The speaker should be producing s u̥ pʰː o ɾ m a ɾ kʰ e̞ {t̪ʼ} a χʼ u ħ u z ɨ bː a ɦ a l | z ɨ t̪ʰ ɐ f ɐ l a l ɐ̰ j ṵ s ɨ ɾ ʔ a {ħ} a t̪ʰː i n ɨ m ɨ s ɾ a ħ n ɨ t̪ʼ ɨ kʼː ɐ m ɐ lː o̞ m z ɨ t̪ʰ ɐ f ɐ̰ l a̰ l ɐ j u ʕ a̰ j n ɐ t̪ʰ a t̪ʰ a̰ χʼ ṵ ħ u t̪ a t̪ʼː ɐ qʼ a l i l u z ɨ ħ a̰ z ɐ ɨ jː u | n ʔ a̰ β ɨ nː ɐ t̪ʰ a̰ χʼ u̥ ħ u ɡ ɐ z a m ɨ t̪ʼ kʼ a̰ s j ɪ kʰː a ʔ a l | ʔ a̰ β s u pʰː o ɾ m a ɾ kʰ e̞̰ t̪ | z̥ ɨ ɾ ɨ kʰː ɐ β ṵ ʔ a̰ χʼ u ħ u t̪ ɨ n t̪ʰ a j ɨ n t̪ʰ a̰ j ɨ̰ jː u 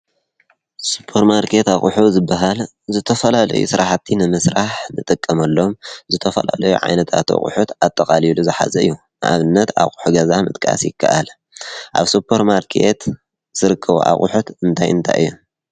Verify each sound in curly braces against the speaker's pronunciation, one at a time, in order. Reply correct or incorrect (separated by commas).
incorrect, correct